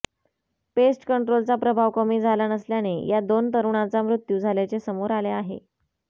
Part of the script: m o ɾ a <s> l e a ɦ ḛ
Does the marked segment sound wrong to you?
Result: yes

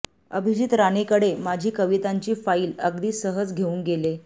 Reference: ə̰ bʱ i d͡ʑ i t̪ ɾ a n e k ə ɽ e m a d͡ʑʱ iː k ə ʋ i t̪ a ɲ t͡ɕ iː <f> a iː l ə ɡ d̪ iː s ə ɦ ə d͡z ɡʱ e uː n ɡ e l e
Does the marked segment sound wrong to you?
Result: no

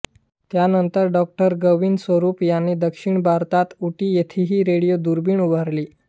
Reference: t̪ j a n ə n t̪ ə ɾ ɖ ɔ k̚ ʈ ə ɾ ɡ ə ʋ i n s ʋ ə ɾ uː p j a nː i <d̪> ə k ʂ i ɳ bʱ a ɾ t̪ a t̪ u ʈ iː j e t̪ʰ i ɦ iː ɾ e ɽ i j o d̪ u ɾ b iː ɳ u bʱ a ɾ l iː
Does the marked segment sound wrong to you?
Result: no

